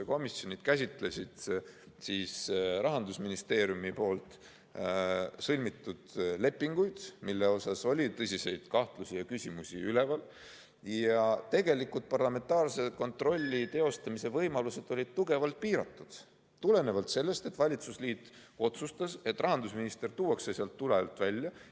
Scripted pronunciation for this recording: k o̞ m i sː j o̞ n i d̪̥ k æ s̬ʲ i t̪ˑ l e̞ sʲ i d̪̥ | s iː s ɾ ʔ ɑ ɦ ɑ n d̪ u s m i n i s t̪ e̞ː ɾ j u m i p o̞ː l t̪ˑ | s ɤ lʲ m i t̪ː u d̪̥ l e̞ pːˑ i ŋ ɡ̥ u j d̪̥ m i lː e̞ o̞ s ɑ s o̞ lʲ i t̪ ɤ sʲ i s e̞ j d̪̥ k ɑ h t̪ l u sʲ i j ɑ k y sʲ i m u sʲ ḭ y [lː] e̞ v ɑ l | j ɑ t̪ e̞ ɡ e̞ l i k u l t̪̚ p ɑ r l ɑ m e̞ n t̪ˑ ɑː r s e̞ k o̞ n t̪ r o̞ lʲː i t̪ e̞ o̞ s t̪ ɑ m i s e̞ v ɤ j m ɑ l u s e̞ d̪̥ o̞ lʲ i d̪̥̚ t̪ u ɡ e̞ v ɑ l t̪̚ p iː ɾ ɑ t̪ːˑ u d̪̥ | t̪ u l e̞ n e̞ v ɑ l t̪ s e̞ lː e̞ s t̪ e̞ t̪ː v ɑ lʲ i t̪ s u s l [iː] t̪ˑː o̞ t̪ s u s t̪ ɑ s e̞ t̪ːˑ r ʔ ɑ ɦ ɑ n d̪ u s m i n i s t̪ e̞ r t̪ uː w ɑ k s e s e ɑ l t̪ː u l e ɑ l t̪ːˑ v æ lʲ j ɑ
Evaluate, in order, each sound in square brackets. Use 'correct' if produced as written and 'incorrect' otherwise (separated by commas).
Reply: incorrect, correct